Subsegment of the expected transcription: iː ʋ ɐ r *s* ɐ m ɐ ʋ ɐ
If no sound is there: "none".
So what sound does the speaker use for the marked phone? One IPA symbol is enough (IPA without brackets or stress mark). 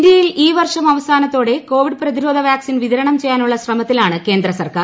ʂ